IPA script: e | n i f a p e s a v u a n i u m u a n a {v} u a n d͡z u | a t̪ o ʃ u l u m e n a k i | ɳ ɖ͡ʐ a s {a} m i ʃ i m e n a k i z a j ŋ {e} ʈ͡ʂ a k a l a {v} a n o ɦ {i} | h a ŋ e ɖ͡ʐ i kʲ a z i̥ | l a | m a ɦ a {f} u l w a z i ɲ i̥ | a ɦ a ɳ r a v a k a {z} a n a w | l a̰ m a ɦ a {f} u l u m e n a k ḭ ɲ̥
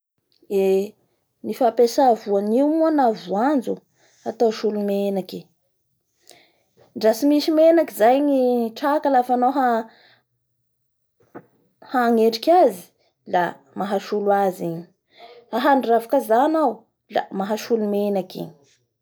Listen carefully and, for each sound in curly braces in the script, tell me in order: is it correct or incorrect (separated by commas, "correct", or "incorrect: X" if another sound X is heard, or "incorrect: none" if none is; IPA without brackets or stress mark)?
correct, incorrect: i, incorrect: i, incorrect: f, incorrect: a, incorrect: ʃ, correct, incorrect: ʃ